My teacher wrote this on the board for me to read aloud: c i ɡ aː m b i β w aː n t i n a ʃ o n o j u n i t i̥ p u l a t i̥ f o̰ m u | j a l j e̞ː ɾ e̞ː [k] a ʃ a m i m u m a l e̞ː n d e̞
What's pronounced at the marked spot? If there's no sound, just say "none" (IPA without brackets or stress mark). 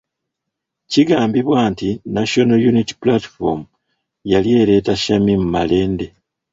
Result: t